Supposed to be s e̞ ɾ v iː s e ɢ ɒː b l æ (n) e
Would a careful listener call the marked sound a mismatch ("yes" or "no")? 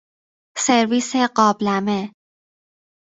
yes